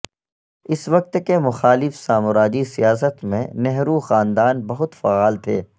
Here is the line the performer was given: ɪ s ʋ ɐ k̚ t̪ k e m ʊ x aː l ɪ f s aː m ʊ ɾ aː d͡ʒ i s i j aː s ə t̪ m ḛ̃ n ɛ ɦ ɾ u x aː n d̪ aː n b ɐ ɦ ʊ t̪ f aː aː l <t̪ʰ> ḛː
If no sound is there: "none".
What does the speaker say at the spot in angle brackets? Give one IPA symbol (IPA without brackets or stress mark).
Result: t̪ʰ